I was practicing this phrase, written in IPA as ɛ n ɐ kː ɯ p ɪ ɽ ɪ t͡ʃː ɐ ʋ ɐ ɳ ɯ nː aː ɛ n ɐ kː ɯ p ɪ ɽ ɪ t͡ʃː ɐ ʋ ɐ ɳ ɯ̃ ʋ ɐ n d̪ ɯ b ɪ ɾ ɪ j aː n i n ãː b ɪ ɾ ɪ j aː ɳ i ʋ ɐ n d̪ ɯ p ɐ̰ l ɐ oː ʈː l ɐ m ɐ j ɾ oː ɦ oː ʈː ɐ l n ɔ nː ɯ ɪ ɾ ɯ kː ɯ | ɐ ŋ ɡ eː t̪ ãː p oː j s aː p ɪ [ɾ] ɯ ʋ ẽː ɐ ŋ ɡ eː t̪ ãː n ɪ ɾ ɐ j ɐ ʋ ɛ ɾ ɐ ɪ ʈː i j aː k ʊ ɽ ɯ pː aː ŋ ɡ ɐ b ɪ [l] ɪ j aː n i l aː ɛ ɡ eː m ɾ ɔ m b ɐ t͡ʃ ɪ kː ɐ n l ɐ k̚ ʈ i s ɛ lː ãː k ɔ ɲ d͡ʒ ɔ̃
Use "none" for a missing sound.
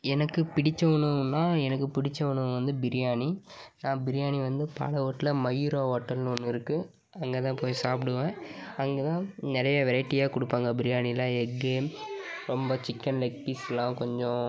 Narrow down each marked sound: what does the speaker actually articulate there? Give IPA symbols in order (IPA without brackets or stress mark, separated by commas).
ɽ, ɾ